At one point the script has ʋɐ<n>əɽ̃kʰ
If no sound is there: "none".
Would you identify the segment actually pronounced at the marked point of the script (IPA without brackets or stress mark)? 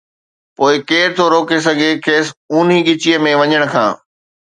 ɲ